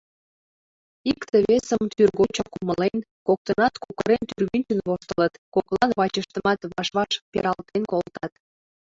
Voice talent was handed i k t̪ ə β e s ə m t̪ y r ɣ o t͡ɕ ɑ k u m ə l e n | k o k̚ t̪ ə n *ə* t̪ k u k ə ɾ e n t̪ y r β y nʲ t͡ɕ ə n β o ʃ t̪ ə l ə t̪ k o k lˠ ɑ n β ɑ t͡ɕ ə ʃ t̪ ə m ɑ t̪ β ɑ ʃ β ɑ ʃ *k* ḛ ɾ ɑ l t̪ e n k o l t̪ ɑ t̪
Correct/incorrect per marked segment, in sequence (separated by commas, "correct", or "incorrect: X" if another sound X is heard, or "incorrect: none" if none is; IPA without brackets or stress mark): incorrect: ɑ, incorrect: p